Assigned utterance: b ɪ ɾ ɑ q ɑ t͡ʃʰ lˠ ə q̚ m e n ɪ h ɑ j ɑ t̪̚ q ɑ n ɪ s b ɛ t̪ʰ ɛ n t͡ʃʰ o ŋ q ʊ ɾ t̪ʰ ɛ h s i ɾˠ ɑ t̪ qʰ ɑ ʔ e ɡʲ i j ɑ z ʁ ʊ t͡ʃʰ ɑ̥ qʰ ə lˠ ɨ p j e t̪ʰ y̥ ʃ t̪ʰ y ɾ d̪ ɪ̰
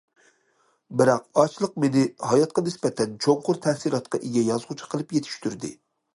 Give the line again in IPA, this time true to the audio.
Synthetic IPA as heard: b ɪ ɾ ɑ q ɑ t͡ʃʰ lˠ ə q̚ m e n ɪ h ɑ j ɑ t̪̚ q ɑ n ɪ s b ɛ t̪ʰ ɛ n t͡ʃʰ o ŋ q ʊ ɾ t̪ʰ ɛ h s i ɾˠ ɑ t̪ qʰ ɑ ʔ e ɡʲ ɛ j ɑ z ʁ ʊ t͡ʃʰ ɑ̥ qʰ ə lˠ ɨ p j e t̪ʰ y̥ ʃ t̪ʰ y ɾ d̪ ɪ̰